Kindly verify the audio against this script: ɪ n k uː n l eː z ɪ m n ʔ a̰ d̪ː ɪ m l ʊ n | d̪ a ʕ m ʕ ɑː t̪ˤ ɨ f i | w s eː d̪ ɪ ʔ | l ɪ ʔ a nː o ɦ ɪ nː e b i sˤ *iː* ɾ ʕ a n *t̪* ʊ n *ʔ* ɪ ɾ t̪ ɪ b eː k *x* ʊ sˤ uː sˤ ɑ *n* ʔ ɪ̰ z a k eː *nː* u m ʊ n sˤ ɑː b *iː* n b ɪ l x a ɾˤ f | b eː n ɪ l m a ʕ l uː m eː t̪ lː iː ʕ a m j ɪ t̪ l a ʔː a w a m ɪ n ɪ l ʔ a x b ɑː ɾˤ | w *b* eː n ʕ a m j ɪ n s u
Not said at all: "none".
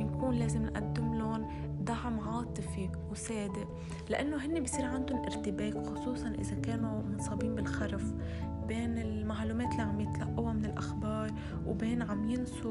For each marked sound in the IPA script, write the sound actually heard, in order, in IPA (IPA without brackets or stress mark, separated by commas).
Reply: iː, d̪, ʔ, x, n, n, iː, b